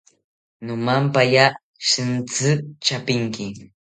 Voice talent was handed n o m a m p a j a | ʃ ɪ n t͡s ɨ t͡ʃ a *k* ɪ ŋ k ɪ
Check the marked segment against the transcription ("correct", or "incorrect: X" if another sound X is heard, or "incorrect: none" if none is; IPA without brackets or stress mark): incorrect: p